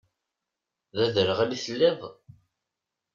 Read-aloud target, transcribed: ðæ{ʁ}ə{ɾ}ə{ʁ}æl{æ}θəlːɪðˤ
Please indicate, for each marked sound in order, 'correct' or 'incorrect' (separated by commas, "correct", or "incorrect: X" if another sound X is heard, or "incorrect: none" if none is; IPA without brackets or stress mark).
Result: incorrect: ð, correct, correct, incorrect: i